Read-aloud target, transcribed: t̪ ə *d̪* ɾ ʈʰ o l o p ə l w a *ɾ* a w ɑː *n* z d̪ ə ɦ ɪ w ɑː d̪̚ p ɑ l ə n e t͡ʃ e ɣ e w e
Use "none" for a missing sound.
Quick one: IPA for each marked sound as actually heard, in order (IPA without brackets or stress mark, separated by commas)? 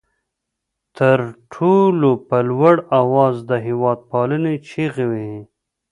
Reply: none, ɽ, none